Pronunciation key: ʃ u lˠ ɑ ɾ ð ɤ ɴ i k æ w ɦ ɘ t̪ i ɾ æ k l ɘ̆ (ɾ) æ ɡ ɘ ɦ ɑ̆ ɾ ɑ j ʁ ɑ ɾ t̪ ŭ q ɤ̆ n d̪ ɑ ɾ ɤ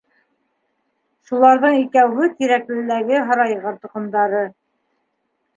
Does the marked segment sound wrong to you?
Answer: yes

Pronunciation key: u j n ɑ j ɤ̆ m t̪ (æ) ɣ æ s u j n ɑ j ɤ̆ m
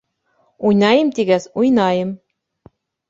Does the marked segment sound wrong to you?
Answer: yes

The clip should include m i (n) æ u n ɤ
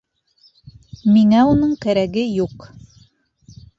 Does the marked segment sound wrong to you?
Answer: yes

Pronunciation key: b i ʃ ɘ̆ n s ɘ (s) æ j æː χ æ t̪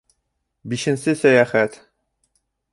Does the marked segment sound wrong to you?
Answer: no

